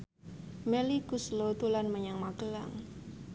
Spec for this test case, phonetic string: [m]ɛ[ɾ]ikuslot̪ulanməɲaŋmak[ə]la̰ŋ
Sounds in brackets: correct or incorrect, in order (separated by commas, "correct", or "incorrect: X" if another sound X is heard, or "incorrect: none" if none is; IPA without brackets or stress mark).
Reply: correct, incorrect: l, correct